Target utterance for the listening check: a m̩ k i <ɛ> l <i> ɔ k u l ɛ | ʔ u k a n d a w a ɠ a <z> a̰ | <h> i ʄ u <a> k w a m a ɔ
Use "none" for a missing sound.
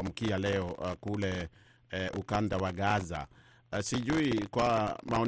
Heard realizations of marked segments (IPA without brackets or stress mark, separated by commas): a, ɛ, z, s, i